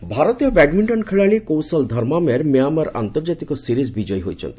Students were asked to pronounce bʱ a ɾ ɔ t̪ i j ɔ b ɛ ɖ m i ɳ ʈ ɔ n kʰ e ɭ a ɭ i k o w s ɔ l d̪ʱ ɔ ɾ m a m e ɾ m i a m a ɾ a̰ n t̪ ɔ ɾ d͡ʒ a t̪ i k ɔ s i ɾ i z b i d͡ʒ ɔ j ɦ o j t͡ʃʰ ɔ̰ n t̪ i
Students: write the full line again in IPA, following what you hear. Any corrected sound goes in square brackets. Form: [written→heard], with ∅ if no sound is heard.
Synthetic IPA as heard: bʱ a ɾ ɔ t̪ i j ɔ b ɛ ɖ m i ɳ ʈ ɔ n kʰ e ɭ a ɭ i k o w s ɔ l d̪ʱ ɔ ɾ m a m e ɾ m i a m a ɾ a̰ n t̪ ɔ ɾ d͡ʒ a t̪ i k ɔ s i ɾ i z b i d͡ʒ ɔ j ɦ o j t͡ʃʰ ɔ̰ n t̪ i